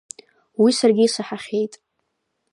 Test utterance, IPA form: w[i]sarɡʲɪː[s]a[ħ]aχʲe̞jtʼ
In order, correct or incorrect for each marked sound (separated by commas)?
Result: correct, correct, correct